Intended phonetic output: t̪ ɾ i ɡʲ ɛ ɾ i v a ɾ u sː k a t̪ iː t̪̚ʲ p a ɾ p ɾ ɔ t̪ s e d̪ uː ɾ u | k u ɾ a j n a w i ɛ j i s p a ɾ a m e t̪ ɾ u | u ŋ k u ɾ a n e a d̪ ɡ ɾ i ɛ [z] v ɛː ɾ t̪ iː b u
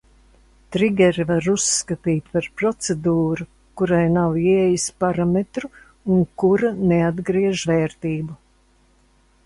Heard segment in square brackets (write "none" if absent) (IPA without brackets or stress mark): ʒ